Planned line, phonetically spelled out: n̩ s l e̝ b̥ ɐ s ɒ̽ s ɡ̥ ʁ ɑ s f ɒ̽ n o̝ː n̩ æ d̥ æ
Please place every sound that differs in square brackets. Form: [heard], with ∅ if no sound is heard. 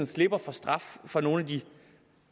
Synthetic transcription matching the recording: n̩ s l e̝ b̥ ɐ [f] ɒ̽ s [d̥] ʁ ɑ [f] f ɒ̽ n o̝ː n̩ æ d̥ [i]

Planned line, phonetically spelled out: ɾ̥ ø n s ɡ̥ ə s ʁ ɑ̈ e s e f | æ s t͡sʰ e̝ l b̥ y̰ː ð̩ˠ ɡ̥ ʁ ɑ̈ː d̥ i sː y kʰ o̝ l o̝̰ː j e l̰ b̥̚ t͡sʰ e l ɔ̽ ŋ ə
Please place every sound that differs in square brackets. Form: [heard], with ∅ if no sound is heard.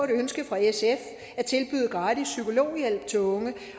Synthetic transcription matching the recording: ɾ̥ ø n s ɡ̥ ə [f] ʁ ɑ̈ e s e f | æ [∅] t͡sʰ e̝ l b̥ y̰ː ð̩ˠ ɡ̥ ʁ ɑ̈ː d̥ i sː y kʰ o̝ l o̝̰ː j e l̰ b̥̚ t͡sʰ e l ɔ̽ ŋ ə

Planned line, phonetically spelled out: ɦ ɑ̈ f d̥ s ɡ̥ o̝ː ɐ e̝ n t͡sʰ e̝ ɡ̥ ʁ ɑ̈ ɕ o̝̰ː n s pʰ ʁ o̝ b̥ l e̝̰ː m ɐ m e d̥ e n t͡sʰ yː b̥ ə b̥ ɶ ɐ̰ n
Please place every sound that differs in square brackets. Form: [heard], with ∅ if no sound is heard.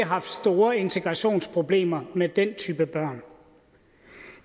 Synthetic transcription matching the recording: ɦ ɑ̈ f d̥ s [d̥] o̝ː ɐ e̝ n t͡sʰ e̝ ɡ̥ ʁ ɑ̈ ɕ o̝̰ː n s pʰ ʁ o̝ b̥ l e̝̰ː m ɐ m e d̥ e n t͡sʰ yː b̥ ə b̥ ɶ ɐ̰ n

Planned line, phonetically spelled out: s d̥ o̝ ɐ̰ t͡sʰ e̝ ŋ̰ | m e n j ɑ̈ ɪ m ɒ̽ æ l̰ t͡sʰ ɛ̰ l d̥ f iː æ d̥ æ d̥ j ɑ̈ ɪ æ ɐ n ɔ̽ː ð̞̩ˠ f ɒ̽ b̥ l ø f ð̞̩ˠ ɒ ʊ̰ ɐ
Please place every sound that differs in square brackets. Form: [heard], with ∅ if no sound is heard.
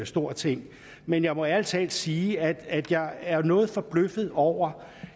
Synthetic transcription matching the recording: s d̥ o̝ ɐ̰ t͡sʰ e̝ ŋ̰ | m e n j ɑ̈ ɪ m ɒ̽ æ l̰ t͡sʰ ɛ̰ l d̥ [s] iː æ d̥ æ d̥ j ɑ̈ ɪ æ ɐ n ɔ̽ː ð̞̩ˠ f ɒ̽ b̥ l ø f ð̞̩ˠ ɒ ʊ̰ ɐ

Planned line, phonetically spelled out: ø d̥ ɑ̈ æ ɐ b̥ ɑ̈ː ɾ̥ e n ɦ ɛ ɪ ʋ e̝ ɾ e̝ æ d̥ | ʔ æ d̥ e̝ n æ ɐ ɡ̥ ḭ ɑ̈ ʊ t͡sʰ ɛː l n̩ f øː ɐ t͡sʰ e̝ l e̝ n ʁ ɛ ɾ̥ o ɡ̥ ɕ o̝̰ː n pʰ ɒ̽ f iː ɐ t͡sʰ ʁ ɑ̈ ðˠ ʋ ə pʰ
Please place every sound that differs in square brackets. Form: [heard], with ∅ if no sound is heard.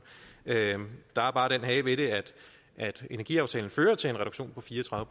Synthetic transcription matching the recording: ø d̥ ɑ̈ æ ɐ b̥ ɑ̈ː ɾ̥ e n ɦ ɛ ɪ ʋ e̝ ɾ e̝ æ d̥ | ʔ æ d̥ e̝ n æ ɐ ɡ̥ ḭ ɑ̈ ʊ t͡sʰ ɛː l n̩ f øː ɐ t͡sʰ e̝ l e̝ n ʁ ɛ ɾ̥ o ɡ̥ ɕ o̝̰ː n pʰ ɒ̽ f iː ɐ t͡sʰ ʁ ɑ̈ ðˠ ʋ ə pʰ

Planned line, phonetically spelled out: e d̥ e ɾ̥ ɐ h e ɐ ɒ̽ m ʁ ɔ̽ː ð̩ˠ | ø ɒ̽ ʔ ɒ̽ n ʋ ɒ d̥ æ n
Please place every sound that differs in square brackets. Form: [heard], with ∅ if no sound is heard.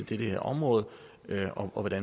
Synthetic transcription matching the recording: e d̥ e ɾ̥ [ə] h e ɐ ɒ̽ m ʁ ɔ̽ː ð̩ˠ | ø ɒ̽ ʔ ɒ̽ [∅] ʋ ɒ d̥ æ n

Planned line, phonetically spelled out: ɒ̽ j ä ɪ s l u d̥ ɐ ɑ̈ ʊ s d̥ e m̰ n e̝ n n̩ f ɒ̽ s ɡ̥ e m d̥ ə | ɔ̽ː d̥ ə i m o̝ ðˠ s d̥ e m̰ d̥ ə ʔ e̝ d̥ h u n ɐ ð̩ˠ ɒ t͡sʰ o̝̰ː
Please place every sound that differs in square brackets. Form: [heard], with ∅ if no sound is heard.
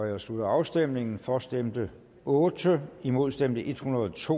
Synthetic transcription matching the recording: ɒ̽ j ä ɪ s l u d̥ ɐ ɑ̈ ʊ s d̥ e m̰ n e̝ [ŋ] n̩ f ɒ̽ s [d̥] e m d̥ ə | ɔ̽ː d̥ ə i m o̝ ðˠ s d̥ e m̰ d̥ ə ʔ e̝ d̥ h u n ɐ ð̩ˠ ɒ t͡sʰ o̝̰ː

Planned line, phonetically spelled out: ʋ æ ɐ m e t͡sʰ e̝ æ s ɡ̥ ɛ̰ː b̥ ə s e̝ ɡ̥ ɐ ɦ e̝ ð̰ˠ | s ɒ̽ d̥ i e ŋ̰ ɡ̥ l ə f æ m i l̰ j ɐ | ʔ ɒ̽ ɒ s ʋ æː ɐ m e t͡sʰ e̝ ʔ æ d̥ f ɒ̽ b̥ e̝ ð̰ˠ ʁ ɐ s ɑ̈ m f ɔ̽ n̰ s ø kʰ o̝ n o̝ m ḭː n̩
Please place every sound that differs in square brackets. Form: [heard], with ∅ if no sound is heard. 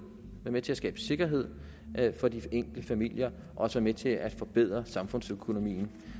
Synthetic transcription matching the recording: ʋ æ ɐ m e t͡sʰ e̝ æ s ɡ̥ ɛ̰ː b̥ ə s e̝ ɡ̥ ɐ ɦ e̝ ð̰ˠ | [f] ɒ̽ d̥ i e ŋ̰ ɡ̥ l ə f æ m i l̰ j ɐ | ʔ ɒ̽ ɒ s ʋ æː ɐ m e t͡sʰ e̝ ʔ æ d̥ f ɒ̽ b̥ e̝ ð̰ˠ ʁ ɐ s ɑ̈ m f ɔ̽ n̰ s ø kʰ o̝ n o̝ m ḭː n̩

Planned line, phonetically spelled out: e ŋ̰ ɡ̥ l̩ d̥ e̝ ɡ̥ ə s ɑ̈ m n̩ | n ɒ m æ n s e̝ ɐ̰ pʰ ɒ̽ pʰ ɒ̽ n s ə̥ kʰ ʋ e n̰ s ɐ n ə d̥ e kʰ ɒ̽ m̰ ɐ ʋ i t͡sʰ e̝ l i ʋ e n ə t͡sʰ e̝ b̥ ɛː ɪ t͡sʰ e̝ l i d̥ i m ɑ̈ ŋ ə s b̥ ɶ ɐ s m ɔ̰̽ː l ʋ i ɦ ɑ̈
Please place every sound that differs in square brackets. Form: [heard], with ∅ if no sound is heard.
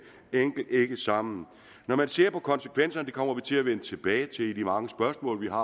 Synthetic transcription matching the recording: e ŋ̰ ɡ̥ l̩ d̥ e̝ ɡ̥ ə s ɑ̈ m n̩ | n ɒ m æ n s e̝ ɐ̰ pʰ ɒ̽ [kʰ] ɒ̽ n s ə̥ kʰ ʋ e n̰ s ɐ n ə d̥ e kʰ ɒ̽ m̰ ɐ ʋ i t͡sʰ e̝ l [æ] ʋ e n ə t͡sʰ e̝ b̥ ɛː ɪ t͡sʰ e̝ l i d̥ i m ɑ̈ ŋ ə s b̥ ɶ ɐ s m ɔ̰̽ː l ʋ i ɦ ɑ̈

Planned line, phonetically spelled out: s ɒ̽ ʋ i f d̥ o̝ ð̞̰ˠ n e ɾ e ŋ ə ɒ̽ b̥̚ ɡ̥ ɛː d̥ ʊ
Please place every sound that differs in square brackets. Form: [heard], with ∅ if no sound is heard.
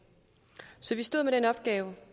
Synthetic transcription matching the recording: s ɒ̽ ʋ i [s] d̥ o̝ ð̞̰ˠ [m] e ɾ e [n] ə ɒ̽ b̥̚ ɡ̥ ɛː [∅] ʊ

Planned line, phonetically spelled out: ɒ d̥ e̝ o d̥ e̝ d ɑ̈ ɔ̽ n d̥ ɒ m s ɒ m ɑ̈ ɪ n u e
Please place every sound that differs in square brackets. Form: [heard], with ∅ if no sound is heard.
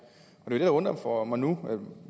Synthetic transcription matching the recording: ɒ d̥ e̝ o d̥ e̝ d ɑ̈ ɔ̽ n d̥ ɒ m [f] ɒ m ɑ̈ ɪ n u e

